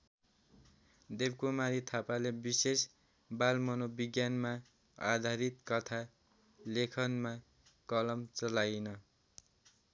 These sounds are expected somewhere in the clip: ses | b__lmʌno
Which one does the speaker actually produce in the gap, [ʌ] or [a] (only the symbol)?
a